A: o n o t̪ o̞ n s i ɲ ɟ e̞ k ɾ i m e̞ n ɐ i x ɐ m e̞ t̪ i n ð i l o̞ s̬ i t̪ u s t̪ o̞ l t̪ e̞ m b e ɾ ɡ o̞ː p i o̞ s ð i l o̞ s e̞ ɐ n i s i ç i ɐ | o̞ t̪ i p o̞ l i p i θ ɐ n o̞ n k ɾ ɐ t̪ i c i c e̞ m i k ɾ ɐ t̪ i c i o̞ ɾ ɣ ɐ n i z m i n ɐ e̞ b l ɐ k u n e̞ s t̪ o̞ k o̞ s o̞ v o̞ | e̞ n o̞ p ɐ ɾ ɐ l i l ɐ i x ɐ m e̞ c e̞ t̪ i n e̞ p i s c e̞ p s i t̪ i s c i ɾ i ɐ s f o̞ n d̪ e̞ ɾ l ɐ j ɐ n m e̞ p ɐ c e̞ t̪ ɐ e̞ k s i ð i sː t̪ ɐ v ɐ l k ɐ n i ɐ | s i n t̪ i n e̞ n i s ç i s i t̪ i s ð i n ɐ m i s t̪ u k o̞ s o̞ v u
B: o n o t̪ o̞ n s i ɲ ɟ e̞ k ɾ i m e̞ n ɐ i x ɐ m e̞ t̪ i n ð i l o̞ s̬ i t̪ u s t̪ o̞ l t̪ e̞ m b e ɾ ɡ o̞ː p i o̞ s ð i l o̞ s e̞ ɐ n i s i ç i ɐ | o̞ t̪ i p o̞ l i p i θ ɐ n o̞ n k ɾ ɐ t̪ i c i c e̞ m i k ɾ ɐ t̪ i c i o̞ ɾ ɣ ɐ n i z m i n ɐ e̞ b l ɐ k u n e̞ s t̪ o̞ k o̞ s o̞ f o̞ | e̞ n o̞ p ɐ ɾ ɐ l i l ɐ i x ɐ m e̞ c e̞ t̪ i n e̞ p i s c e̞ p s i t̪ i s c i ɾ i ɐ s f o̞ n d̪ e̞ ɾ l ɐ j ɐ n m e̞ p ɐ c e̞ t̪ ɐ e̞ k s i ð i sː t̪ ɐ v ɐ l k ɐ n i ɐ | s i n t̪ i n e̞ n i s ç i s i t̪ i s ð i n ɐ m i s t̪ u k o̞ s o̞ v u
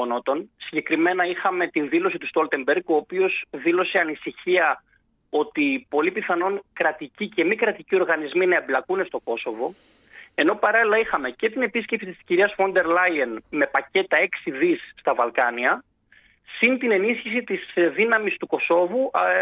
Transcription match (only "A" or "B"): A